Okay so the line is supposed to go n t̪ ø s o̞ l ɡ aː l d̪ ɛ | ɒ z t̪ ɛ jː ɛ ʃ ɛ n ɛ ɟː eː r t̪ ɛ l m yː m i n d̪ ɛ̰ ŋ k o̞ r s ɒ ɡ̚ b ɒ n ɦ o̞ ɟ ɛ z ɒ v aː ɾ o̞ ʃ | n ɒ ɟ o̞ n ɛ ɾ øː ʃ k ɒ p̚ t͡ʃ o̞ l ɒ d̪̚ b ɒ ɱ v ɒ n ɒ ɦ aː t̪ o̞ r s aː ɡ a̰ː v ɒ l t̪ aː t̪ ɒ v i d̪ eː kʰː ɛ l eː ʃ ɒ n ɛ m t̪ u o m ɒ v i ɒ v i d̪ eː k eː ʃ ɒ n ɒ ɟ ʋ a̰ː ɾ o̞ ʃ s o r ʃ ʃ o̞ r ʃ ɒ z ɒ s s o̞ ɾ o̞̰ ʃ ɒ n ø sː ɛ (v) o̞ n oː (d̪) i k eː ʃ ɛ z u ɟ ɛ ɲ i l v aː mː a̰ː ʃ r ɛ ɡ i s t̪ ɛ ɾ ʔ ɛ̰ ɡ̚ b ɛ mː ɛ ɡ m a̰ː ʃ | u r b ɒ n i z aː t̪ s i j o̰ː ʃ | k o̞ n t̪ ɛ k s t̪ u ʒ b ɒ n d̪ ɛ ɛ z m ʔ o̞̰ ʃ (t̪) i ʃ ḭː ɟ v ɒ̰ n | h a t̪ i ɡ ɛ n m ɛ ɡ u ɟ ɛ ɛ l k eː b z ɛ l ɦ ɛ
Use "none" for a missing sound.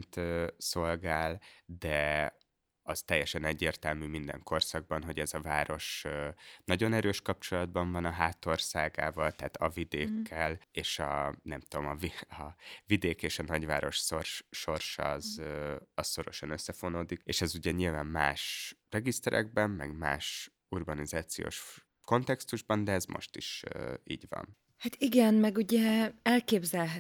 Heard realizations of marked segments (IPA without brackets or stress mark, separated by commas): f, d̪, t̪